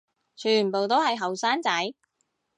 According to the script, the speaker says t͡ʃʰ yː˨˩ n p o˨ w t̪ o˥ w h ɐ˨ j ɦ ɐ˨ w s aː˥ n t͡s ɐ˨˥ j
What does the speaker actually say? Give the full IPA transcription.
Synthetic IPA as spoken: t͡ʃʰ yː˨˩ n p o˨ w t̪ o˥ w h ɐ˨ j ɦ ɐ˨ w s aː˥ n t͡s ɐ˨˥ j